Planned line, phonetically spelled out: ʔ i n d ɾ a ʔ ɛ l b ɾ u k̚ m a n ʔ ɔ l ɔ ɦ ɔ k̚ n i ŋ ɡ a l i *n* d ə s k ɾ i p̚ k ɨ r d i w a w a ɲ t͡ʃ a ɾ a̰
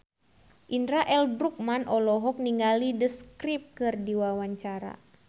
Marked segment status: incorrect: none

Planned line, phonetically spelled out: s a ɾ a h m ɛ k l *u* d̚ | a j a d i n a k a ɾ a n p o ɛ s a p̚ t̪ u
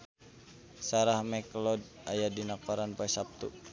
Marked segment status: incorrect: ɔ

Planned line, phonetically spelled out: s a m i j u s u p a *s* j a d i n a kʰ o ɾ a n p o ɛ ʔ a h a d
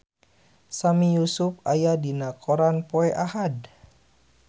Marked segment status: incorrect: none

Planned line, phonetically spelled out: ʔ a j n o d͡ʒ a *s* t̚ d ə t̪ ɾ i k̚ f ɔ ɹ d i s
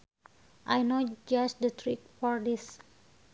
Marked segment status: correct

